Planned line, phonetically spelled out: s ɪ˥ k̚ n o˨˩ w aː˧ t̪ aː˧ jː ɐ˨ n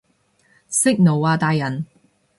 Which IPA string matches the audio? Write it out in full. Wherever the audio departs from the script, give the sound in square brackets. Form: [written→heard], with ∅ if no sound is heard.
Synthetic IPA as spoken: s ɪ˥ k̚ n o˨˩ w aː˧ t̪ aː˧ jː ɐ˨ n